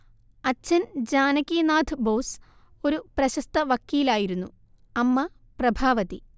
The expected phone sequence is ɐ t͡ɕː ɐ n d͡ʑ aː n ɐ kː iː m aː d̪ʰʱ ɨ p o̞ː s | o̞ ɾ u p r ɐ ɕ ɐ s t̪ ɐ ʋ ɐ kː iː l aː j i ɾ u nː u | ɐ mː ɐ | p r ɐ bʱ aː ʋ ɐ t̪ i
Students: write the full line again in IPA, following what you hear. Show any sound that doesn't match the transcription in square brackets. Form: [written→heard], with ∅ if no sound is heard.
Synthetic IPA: ɐ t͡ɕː ɐ n d͡ʑ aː n ɐ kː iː [m→n] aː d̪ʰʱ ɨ [p→b] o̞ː s | o̞ ɾ u p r ɐ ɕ ɐ s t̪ ɐ ʋ ɐ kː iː l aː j i ɾ u nː u | ɐ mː ɐ | p r ɐ bʱ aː ʋ ɐ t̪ i